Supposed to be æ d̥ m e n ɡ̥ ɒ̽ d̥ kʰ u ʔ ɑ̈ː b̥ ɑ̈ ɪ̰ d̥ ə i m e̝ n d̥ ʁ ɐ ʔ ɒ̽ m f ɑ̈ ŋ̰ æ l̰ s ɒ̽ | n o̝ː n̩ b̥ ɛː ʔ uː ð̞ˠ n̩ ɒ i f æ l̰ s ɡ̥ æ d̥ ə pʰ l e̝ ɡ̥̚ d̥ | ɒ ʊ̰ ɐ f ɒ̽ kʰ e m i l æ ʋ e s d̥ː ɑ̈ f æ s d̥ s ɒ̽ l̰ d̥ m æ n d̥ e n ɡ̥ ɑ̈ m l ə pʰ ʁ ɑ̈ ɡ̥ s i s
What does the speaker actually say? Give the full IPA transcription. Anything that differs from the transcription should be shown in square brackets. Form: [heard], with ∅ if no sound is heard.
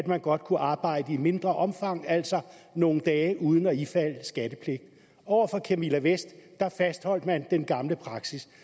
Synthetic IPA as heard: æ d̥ m [æ] n ɡ̥ ɒ̽ d̥ kʰ u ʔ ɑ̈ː b̥ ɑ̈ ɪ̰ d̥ ə i m e̝ n d̥ ʁ ɐ ʔ ɒ̽ m f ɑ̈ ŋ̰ æ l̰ s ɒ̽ | n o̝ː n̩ [d̥] ɛː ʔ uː ð̞ˠ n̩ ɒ i f æ l̰ s ɡ̥ æ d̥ ə pʰ l e̝ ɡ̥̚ d̥ | ɒ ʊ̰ ɐ f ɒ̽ kʰ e m i l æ ʋ e s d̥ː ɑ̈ f æ s d̥ [h] ɒ̽ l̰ d̥ m æ n d̥ e n ɡ̥ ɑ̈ m l ə pʰ ʁ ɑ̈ ɡ̥ s i s